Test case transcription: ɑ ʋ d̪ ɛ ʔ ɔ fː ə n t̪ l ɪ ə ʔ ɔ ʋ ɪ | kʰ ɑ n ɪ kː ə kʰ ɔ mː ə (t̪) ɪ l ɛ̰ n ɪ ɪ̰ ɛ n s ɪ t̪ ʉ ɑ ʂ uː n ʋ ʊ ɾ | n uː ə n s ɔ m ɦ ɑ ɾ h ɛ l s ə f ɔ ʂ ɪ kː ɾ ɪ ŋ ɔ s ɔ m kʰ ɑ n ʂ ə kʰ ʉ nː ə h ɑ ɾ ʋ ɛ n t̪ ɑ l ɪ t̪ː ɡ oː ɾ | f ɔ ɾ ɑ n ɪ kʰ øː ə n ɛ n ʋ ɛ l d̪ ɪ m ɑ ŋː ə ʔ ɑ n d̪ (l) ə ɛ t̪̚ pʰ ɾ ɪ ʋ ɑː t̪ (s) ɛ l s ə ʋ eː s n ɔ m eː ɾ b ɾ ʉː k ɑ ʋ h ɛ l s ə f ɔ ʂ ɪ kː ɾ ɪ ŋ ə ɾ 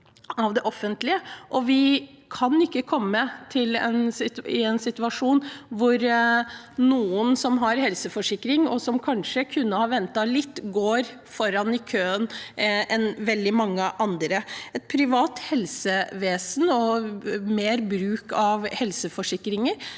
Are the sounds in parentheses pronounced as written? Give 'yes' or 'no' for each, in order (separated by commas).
no, no, no